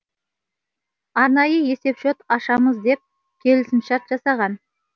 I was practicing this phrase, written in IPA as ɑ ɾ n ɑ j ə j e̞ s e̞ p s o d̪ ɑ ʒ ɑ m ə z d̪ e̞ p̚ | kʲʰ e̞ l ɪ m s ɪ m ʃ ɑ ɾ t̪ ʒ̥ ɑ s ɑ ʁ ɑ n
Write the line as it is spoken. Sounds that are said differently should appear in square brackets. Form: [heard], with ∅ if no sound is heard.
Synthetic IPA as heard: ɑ ɾ n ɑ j ə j e̞ s e̞ p [ʃ] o [t̪] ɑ [ʃ] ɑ m ə z d̪ e̞ p̚ | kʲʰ e̞ l ɪ [∅] s ɪ m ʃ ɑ ɾ t̪ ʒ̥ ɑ s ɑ ʁ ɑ n